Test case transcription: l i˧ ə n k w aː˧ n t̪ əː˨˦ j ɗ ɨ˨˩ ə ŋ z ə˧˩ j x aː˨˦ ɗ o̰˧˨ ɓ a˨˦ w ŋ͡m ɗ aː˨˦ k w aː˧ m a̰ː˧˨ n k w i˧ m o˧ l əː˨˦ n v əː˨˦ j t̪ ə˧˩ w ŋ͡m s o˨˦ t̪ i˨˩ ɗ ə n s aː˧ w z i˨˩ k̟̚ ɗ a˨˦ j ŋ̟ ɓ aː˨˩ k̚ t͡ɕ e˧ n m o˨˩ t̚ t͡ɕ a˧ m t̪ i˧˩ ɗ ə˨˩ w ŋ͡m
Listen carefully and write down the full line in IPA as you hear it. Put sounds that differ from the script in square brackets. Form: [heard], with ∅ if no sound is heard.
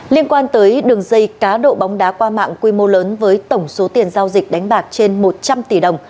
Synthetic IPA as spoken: l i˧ ə n k w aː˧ n t̪ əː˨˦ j ɗ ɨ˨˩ ə ŋ z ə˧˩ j [k] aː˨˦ ɗ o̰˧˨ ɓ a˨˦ w ŋ͡m ɗ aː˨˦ k w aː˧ m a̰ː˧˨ [ŋ] k w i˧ m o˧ l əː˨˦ n v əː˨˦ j t̪ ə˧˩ w ŋ͡m s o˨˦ t̪ i˨˩ [∅] ə n [z] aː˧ w z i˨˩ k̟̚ ɗ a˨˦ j ŋ̟ ɓ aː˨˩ k̚ t͡ɕ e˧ n m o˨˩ t̚ t͡ɕ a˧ m t̪ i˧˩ ɗ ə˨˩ w ŋ͡m